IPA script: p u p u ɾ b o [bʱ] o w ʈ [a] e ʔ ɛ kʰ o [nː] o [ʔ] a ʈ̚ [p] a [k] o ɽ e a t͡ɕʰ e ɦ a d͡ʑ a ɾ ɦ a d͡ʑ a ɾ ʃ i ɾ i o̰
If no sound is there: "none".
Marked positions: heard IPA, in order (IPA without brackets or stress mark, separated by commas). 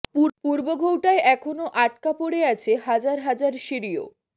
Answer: ɡʱ, a, n, ʔ, k, p